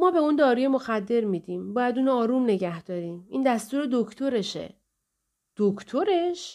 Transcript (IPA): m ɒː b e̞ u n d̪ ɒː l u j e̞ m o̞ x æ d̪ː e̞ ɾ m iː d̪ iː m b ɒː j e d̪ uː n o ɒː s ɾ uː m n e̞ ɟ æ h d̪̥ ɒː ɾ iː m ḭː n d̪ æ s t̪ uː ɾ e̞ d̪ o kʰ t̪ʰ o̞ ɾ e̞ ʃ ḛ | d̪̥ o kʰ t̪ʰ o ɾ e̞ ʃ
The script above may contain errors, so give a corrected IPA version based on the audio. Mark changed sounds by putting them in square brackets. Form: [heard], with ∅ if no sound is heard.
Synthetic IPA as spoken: m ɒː b e̞ u n d̪ ɒː [ɾ] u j e̞ m o̞ x æ d̪ː e̞ ɾ m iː d̪ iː m b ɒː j [æ] d̪ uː n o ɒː [∅] ɾ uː m n e̞ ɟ æ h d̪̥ ɒː ɾ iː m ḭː n d̪ æ s t̪ uː ɾ e̞ d̪ o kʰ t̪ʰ o̞ ɾ e̞ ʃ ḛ | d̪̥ o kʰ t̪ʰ o ɾ e̞ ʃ